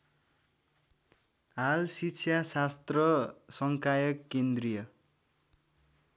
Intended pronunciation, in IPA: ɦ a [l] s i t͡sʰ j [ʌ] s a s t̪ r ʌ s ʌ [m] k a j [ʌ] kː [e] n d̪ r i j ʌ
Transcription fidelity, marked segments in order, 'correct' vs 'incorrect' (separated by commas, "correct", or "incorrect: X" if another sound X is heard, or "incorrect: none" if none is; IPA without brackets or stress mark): correct, incorrect: a, incorrect: ŋ, correct, correct